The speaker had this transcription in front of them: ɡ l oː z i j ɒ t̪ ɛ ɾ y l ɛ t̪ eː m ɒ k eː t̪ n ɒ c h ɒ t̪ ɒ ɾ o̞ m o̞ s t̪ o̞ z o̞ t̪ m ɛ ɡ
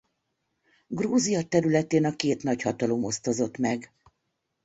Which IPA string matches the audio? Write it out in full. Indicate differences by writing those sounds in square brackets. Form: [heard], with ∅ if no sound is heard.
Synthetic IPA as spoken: ɡ [r] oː z i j ɒ t̪ ɛ ɾ y l ɛ t̪ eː [n] ɒ k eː t̪ n ɒ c h ɒ t̪ ɒ [l] o̞ m o̞ s t̪ o̞ z o̞ t̪ m ɛ ɡ